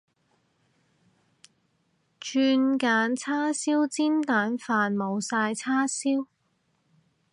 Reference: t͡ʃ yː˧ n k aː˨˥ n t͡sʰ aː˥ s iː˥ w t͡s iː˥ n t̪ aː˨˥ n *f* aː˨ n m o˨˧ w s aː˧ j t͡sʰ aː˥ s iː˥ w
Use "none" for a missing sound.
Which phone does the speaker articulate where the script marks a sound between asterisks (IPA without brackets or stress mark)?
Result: f